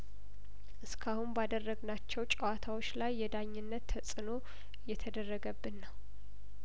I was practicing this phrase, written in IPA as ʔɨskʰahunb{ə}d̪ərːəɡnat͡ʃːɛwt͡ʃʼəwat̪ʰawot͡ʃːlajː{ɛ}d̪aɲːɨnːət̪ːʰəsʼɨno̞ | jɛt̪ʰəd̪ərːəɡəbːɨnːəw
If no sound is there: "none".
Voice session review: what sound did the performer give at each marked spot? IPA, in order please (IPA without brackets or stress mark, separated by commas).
a, ɛ